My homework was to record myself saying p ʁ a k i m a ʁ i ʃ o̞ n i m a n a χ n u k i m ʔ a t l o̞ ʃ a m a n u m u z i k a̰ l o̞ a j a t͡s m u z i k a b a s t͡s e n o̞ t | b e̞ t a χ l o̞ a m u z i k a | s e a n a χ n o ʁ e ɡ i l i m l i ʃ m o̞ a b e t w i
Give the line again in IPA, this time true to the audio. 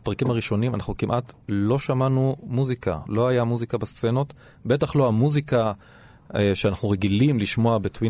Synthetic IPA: p ʁ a k i m a ʁ i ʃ o̞ n i m a n a χ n u k i m ʔ a t l o̞ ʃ a m a n u m u z i k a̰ l o̞ a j a m u z i k a b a s t͡s e n o̞ t | b e̞ t a χ l o̞ a m u z i k a | ʃ e a n a χ n u ʁ e ɡ i l i m l i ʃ m o̞ a b e t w i